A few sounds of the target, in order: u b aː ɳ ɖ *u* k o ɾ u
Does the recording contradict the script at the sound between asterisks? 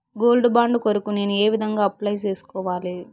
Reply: no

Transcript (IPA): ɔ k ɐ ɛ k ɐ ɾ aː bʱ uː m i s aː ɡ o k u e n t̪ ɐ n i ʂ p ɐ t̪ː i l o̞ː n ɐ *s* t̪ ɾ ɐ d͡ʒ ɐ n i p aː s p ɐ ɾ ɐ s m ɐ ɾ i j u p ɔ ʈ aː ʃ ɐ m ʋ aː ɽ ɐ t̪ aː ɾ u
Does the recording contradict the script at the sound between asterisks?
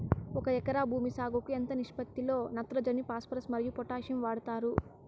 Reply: yes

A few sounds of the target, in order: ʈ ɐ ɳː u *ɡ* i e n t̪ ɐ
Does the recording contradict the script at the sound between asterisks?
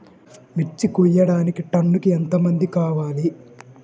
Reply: yes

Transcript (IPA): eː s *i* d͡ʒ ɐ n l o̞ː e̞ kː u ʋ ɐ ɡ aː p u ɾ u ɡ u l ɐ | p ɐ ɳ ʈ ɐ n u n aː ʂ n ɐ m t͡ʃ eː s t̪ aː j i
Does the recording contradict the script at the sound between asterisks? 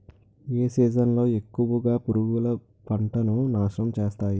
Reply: yes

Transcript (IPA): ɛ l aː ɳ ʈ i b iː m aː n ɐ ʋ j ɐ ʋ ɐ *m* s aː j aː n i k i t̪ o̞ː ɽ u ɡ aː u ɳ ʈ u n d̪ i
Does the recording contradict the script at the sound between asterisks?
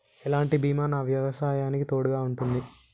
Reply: yes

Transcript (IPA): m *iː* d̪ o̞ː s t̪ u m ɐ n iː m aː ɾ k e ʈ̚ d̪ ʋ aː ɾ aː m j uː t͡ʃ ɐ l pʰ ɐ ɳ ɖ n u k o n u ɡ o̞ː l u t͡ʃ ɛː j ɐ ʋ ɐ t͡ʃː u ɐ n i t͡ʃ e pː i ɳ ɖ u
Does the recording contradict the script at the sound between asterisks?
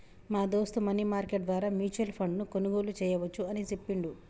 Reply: yes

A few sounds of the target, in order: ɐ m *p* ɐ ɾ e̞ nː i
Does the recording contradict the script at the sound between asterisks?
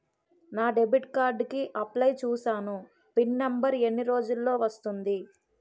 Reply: yes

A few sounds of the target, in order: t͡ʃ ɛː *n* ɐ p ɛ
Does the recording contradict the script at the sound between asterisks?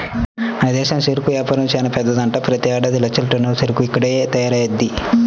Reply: no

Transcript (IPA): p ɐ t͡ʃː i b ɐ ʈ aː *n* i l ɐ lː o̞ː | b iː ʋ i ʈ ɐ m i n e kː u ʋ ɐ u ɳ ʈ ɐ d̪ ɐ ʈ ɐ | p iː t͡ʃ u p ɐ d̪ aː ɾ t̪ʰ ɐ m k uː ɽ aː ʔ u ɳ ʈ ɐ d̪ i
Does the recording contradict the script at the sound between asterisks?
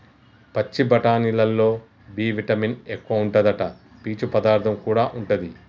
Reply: no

